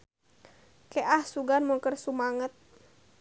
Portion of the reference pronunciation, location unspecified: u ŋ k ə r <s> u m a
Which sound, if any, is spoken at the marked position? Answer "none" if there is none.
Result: s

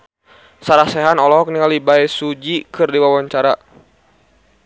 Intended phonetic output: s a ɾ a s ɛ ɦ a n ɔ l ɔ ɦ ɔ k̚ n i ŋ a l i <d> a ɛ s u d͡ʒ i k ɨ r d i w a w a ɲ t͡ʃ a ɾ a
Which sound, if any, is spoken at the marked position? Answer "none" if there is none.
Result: b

